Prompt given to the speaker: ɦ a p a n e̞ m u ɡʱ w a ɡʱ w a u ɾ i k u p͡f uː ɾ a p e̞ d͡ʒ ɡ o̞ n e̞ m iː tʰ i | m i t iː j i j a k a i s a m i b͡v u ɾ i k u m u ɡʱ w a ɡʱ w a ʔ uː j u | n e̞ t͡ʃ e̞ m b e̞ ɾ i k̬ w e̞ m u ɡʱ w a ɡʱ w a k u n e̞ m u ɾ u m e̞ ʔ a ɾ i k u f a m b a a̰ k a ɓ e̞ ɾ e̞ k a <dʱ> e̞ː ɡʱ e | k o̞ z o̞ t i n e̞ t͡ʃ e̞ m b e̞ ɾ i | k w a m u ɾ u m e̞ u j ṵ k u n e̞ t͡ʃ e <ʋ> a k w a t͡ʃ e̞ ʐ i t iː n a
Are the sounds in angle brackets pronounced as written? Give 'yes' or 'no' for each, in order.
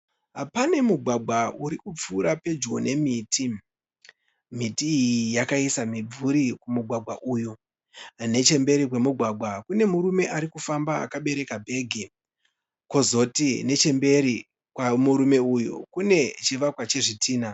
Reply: no, yes

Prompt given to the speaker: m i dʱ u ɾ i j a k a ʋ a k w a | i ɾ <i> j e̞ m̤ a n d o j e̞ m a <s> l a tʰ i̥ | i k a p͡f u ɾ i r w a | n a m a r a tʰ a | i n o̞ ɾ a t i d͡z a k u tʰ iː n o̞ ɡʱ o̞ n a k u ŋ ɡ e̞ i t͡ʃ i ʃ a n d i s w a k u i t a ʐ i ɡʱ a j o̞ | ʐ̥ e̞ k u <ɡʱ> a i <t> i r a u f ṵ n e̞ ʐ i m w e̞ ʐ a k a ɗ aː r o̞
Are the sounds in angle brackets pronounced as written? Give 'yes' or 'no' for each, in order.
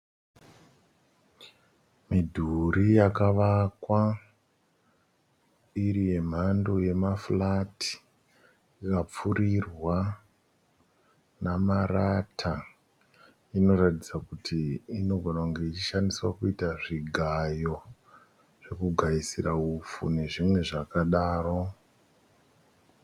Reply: yes, no, yes, no

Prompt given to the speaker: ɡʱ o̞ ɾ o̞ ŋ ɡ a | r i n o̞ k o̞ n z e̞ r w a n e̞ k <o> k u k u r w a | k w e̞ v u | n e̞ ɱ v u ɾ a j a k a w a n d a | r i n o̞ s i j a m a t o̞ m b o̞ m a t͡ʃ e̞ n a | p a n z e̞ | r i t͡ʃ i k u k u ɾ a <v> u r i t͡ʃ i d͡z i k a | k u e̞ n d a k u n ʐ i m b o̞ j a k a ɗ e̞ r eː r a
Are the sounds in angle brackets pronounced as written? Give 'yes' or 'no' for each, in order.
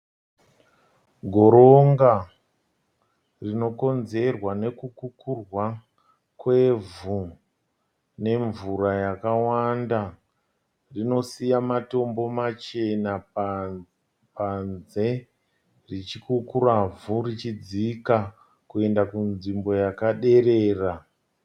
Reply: no, yes

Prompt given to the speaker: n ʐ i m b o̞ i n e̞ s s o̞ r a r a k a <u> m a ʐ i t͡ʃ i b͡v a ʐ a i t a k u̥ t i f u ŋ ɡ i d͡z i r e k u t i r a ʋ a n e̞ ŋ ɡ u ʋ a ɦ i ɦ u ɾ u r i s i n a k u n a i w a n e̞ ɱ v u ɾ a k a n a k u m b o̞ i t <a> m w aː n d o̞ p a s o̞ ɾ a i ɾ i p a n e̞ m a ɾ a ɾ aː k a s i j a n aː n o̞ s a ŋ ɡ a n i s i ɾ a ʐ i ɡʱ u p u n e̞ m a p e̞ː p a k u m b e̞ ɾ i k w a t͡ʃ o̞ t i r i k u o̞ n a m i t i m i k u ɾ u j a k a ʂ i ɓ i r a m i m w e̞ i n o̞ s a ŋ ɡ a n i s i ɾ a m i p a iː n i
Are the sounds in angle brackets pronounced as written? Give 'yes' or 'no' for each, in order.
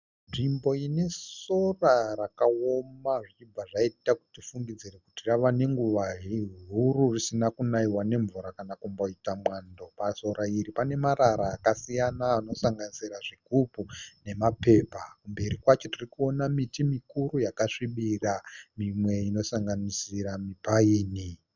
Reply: no, yes

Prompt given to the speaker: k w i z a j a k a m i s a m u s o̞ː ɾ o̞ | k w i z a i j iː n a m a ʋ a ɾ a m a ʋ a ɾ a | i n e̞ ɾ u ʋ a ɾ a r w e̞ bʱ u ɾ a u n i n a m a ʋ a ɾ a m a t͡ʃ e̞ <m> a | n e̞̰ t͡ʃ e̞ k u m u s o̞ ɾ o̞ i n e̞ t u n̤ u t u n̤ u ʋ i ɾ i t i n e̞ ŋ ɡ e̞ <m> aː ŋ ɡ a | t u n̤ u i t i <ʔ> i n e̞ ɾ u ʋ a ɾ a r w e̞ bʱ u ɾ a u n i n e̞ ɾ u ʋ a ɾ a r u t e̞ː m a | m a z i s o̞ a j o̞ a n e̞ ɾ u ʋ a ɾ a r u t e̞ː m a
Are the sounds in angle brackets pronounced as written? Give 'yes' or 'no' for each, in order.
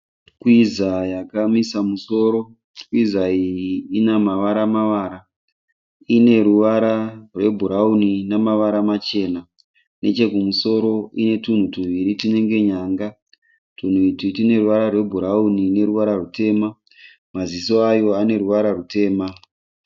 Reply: no, no, no

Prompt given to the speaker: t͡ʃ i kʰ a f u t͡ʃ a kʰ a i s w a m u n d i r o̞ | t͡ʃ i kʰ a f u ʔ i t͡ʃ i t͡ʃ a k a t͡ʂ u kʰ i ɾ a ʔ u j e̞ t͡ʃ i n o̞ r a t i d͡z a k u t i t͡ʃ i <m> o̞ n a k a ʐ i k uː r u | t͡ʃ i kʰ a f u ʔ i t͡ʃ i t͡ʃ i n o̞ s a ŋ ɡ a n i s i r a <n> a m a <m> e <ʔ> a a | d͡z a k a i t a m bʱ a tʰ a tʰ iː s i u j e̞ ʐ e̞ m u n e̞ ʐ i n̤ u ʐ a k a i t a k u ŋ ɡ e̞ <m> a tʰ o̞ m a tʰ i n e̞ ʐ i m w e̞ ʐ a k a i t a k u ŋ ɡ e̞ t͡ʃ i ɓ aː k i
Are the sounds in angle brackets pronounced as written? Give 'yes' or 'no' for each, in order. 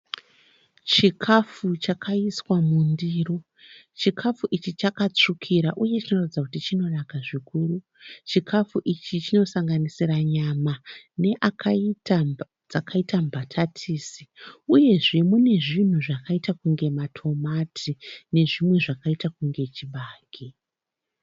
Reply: no, no, no, yes, yes

